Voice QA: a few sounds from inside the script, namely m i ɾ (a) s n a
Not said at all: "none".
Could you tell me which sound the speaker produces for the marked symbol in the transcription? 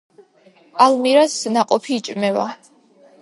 a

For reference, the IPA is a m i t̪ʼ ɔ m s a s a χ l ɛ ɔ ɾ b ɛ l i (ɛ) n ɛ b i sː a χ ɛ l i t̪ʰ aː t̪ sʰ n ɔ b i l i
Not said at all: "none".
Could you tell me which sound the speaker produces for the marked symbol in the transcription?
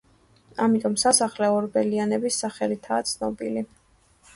a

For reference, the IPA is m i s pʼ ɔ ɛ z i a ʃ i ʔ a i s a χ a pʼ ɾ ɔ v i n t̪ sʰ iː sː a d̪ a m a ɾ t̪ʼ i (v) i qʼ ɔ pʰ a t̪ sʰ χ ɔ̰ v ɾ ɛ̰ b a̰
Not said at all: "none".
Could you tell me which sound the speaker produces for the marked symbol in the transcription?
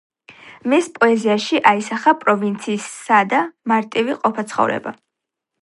v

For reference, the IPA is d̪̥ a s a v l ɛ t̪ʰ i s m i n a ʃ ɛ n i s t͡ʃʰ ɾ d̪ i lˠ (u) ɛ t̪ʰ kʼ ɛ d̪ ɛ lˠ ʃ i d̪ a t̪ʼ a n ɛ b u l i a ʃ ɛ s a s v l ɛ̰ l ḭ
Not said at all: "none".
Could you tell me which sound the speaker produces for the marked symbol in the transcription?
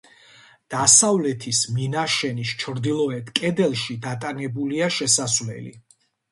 ɔ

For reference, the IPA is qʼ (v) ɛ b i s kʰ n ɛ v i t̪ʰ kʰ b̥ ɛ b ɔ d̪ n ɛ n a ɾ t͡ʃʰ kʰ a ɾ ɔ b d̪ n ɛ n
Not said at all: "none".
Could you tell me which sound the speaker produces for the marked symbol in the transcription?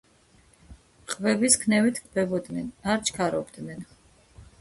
v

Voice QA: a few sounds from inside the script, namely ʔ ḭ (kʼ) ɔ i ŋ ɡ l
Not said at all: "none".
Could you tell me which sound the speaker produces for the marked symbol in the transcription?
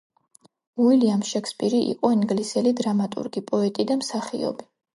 qʼ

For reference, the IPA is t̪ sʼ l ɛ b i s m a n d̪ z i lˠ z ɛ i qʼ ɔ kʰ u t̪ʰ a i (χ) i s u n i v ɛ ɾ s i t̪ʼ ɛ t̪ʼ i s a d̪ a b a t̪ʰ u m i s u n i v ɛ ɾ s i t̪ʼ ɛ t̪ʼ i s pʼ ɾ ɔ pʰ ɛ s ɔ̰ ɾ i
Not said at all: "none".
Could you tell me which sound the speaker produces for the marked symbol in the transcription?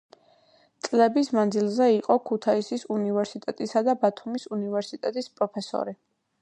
s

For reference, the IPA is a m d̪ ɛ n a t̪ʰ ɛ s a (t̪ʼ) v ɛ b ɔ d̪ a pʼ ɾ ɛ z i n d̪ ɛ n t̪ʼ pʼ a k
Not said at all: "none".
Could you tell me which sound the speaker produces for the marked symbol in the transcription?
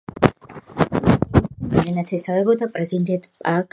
none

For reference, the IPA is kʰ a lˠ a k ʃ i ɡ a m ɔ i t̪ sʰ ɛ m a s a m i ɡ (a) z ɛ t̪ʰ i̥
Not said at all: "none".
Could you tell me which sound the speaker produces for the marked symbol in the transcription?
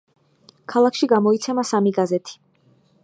a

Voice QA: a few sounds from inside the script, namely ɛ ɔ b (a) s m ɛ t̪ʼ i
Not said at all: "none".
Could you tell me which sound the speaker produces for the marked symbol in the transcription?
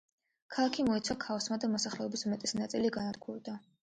i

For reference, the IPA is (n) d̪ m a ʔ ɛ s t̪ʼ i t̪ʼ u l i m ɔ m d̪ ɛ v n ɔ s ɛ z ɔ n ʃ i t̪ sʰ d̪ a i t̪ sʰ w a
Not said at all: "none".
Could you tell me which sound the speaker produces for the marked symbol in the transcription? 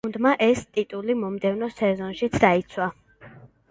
n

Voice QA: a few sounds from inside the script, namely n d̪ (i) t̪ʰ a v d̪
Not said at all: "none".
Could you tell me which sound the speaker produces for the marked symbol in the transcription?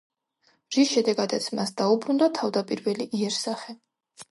a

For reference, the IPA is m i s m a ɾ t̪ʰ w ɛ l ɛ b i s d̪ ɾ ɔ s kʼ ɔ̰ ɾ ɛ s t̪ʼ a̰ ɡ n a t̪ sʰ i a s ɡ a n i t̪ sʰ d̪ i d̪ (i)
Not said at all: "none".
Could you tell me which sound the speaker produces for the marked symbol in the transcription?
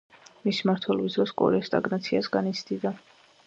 a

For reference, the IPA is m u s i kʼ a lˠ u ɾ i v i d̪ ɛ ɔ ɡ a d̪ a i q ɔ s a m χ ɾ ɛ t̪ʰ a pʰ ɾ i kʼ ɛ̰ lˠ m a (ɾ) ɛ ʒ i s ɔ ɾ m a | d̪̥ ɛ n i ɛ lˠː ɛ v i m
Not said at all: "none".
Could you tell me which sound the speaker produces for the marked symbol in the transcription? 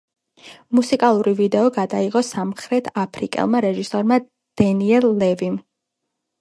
ɾ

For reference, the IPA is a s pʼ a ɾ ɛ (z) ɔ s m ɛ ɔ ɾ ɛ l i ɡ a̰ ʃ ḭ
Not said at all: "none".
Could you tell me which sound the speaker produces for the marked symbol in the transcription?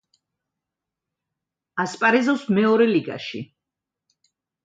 z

